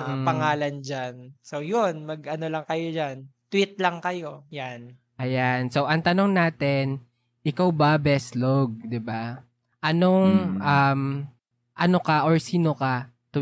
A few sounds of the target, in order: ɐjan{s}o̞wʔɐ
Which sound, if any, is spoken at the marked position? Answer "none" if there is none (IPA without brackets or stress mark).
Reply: s